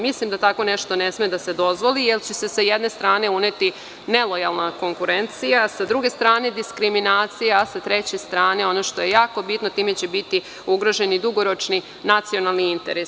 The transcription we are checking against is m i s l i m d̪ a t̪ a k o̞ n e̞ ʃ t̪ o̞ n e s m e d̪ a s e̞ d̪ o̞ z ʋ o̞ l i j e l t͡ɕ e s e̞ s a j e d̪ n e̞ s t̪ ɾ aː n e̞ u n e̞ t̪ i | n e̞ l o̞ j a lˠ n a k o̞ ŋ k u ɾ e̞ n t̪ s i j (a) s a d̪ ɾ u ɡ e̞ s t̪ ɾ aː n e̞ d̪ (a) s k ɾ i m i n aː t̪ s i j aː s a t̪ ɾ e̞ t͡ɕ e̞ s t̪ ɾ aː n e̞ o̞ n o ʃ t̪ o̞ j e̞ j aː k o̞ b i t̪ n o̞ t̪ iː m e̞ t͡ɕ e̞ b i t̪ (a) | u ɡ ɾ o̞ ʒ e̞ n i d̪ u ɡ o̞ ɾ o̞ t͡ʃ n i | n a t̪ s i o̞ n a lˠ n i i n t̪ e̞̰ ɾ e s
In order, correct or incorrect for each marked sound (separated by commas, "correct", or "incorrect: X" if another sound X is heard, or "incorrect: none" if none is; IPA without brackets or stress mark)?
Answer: correct, incorrect: i, incorrect: i